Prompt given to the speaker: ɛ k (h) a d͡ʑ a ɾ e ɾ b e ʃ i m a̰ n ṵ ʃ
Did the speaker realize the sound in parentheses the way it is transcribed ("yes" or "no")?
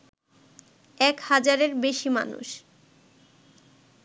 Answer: yes